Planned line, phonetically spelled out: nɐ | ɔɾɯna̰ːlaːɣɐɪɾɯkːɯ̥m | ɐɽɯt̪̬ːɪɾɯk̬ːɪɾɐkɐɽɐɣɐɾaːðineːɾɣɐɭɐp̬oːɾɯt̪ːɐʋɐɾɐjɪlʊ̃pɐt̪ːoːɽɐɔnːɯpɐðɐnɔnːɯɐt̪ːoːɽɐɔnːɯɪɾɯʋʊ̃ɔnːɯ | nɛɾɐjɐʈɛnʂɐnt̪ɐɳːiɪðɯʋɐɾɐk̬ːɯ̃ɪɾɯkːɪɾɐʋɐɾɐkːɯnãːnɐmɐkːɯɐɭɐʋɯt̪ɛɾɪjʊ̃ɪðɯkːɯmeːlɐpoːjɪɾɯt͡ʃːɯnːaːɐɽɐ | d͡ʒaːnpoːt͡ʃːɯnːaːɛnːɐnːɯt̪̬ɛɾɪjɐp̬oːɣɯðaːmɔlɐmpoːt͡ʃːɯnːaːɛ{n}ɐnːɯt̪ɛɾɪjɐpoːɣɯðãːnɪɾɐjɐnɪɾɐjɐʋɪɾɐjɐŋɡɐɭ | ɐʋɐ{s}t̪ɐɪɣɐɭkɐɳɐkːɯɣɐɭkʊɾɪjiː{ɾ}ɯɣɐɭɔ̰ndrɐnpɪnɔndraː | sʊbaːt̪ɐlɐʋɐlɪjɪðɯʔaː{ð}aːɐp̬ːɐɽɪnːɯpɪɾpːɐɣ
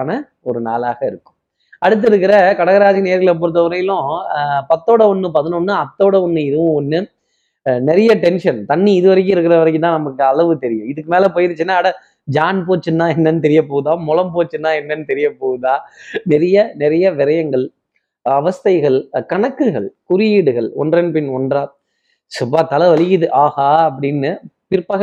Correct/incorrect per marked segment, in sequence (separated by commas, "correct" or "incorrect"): incorrect, correct, incorrect, incorrect